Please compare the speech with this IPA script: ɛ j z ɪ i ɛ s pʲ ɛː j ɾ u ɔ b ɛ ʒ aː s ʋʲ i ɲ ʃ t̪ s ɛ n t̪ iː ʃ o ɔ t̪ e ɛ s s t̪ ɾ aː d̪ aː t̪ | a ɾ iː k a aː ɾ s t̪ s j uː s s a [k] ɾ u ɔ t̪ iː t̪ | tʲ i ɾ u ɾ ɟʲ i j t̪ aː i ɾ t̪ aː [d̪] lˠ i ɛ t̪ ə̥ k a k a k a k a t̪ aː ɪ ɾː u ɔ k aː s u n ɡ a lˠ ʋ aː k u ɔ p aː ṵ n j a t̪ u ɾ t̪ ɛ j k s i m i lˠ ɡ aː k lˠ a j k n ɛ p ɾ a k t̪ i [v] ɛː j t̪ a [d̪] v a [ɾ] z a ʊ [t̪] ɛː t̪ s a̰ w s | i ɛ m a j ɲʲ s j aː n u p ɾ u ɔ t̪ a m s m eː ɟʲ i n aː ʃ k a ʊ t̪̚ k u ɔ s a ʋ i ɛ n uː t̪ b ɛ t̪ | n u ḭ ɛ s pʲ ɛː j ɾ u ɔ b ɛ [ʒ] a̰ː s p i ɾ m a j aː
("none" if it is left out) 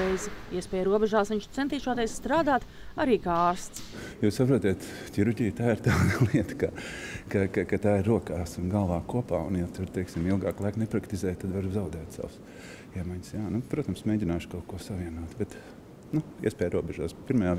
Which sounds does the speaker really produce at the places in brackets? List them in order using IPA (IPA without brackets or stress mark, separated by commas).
p, d̪, z, d̪, ɾ, d̪, ʒ